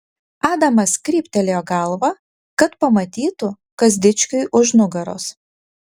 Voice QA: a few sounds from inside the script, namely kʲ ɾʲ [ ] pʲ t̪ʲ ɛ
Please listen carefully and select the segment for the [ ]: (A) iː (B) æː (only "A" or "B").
A